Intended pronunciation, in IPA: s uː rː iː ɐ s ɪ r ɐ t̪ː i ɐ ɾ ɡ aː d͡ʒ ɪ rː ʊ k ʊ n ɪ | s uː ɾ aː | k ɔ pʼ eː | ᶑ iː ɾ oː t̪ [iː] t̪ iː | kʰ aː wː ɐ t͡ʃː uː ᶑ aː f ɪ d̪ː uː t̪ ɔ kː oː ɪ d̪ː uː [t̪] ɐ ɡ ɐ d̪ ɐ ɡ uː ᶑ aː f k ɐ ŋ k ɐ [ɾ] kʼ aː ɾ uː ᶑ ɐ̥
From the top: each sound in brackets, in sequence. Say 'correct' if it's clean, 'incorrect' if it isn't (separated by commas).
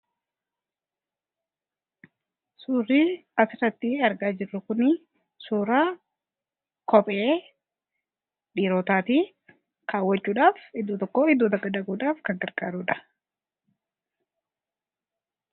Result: incorrect, correct, correct